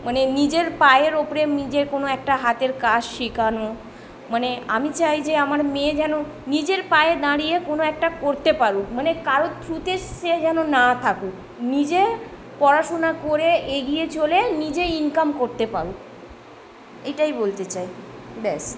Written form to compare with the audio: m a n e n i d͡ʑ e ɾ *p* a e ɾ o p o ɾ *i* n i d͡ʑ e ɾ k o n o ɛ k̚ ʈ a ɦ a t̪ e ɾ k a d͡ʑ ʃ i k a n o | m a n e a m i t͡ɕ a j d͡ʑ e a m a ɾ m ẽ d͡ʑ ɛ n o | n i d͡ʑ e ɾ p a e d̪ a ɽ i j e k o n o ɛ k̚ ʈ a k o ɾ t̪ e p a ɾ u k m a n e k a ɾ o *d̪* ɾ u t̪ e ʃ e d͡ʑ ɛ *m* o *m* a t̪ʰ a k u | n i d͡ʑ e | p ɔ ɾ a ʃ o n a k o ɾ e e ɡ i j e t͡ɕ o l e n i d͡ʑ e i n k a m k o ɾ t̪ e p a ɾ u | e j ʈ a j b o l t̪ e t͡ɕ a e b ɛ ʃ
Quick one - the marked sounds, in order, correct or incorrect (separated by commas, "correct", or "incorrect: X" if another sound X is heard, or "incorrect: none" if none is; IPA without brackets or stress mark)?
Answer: correct, incorrect: e, incorrect: t̪, incorrect: n, incorrect: n